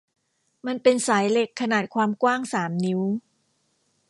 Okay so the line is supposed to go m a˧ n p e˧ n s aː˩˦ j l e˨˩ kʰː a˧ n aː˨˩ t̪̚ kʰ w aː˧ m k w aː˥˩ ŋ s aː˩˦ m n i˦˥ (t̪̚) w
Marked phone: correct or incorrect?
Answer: incorrect: none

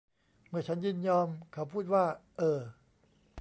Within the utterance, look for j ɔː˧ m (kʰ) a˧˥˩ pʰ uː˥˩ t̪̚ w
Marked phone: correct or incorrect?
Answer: correct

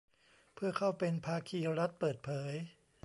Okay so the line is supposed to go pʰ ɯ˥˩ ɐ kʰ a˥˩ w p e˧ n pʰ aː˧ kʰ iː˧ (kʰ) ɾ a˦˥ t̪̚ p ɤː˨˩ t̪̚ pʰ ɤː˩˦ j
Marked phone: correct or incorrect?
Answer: incorrect: none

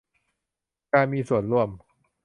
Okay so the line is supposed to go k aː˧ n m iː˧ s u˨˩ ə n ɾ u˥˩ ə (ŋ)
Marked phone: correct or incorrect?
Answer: incorrect: m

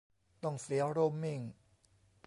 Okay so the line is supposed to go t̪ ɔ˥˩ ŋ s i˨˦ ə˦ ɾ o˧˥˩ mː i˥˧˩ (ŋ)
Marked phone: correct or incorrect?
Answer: correct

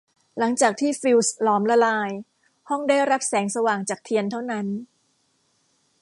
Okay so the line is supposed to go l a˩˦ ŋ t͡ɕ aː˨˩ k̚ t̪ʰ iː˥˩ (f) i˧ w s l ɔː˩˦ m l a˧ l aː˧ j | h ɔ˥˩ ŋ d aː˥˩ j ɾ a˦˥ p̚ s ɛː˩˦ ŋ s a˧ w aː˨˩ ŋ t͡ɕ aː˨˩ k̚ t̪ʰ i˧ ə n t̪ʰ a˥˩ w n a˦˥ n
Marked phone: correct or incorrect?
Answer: correct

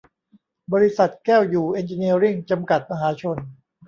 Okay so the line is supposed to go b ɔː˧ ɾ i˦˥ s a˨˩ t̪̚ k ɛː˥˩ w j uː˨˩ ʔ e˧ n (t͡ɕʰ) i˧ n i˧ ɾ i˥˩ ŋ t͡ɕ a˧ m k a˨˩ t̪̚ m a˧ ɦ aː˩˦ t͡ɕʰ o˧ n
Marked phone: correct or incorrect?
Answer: incorrect: t͡ɕ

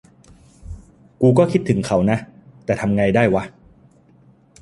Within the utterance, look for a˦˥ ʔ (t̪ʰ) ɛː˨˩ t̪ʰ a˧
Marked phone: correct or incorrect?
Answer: incorrect: t̪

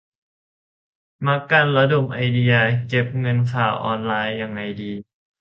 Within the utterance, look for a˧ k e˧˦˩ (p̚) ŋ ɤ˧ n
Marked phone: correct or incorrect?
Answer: correct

